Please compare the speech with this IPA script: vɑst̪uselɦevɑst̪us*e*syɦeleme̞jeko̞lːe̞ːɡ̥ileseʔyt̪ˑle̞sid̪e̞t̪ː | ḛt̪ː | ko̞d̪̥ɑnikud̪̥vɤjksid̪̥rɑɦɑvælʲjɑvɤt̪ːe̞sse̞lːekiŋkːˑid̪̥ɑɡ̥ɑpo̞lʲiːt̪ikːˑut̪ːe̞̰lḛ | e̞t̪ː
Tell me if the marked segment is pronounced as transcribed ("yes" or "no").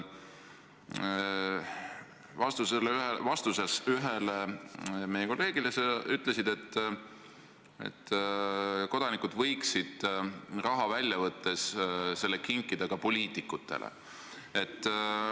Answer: yes